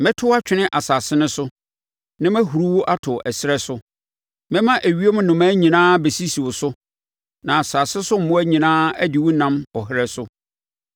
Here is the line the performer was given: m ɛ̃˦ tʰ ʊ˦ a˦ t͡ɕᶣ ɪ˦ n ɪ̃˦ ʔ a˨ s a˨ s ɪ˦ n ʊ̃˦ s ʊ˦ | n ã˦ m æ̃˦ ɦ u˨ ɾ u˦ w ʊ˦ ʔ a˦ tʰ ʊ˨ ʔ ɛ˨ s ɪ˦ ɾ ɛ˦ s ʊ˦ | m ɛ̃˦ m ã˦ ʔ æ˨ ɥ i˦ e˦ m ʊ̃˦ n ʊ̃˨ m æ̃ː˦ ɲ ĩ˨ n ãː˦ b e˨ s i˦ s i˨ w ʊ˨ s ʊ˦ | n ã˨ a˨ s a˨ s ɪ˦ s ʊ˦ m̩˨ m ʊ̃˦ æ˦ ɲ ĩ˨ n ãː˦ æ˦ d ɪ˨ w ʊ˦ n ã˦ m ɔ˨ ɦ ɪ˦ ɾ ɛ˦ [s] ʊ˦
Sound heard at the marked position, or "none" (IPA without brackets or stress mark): s